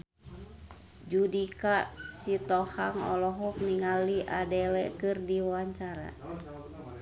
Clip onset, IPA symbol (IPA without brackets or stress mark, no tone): d͡ʒ